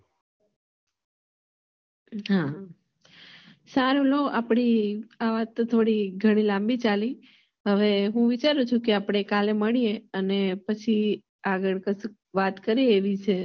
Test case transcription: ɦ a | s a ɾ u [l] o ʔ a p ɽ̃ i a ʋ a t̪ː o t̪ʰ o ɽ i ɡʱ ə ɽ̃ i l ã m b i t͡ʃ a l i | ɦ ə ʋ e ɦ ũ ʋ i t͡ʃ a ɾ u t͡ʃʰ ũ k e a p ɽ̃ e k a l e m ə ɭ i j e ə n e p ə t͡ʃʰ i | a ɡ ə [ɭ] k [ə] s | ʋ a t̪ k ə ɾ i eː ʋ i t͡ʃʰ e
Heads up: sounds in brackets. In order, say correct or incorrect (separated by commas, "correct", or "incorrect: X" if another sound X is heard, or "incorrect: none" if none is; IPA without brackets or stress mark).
correct, correct, correct